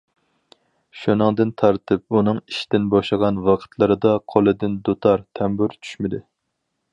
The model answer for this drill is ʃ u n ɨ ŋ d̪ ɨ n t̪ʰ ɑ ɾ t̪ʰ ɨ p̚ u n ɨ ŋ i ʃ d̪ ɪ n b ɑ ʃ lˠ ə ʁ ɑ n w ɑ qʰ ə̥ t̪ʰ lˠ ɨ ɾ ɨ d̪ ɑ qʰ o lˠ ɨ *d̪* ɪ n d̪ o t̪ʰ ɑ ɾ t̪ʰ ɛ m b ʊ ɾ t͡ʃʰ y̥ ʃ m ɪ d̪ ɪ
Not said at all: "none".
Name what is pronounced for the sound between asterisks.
d̪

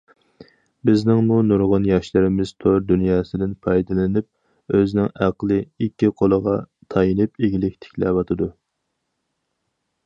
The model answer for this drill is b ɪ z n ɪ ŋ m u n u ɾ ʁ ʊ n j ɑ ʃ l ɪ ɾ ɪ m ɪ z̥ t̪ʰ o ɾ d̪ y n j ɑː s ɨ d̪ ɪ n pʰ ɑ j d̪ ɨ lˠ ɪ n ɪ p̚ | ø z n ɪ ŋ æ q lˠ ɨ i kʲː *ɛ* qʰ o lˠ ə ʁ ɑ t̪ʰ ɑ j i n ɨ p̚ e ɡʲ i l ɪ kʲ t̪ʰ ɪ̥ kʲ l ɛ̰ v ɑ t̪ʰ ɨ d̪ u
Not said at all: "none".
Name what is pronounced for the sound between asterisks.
i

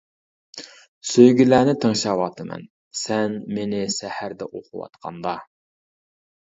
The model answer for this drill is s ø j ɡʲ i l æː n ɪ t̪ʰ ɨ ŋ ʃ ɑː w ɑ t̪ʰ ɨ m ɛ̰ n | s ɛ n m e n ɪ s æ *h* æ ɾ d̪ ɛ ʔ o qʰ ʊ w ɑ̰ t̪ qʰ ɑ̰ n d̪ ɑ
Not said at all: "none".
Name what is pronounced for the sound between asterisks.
h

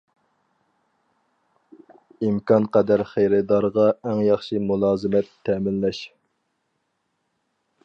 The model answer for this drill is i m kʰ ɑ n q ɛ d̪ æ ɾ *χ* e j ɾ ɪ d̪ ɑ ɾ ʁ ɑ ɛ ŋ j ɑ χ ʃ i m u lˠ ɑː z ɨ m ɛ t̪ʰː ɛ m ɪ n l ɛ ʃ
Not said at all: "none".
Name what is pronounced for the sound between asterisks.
χ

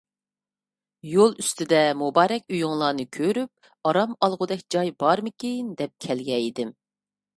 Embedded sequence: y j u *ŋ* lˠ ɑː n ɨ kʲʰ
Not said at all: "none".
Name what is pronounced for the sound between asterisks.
ŋ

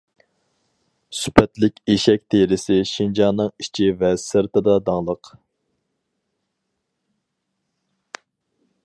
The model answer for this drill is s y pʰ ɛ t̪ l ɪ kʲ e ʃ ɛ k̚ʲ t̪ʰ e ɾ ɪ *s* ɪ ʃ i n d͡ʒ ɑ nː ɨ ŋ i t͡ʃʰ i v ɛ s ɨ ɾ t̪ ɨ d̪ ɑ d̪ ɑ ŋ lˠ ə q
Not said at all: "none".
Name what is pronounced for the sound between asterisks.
s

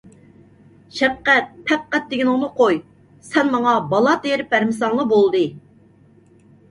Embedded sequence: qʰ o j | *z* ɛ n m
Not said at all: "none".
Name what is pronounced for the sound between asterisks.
s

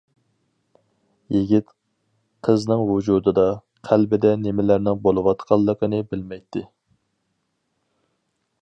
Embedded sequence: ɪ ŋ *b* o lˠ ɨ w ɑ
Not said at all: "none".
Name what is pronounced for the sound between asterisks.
b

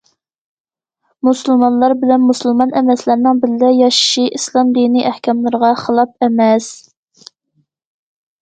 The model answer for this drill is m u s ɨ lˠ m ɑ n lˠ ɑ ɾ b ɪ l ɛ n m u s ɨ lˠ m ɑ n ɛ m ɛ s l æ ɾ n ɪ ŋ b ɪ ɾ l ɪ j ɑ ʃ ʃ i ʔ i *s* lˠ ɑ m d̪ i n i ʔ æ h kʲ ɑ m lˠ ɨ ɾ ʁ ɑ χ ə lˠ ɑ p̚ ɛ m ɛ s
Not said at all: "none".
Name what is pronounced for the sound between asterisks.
s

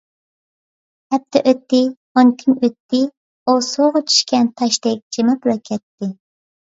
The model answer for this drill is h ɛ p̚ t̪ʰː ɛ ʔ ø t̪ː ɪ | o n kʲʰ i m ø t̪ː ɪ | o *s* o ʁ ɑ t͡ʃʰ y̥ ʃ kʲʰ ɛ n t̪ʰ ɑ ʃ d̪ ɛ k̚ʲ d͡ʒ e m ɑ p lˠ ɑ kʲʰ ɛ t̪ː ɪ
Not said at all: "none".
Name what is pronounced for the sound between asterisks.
s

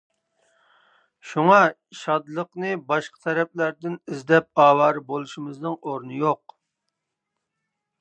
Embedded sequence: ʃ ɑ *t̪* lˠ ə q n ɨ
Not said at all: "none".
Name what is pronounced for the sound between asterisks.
d̪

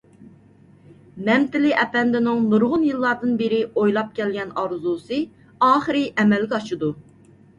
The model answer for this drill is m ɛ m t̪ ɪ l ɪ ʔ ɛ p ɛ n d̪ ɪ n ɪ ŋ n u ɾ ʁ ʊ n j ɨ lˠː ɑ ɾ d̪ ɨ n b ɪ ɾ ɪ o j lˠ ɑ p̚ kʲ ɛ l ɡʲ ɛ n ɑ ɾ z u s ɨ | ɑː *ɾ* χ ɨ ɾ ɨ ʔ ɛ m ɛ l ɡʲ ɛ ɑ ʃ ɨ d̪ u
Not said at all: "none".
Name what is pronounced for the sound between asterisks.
none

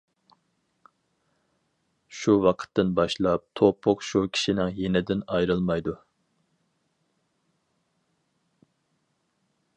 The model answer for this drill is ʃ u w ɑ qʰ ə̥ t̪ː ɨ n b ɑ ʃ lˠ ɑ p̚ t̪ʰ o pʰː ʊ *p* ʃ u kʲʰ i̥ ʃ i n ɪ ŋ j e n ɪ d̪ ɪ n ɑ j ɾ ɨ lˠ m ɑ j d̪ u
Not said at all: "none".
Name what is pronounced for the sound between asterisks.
q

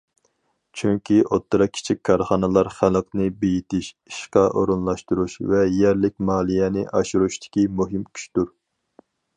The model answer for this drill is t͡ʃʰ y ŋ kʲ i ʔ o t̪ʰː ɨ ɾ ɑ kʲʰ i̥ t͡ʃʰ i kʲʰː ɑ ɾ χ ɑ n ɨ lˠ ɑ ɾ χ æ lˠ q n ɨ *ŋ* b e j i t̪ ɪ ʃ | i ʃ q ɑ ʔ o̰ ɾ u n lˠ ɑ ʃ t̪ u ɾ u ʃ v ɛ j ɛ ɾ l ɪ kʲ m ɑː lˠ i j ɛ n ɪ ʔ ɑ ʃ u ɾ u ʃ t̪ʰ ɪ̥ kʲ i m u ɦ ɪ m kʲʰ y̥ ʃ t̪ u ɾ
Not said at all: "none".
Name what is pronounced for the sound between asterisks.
none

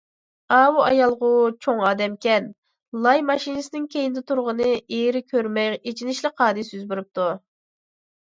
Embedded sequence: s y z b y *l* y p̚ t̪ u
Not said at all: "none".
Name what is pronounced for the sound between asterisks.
ɾ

